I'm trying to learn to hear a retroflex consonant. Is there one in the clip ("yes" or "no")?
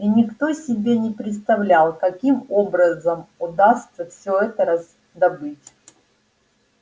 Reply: no